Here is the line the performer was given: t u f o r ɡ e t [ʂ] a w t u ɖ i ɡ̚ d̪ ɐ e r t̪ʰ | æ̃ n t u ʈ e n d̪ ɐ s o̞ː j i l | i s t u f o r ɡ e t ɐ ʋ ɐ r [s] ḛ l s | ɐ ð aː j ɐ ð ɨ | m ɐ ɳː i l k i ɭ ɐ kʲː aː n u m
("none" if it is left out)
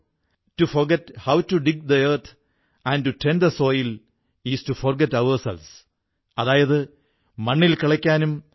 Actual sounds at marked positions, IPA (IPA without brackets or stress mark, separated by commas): h, s